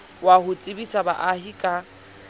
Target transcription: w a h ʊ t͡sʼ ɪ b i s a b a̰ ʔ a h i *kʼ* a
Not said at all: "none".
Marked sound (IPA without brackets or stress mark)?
kʼ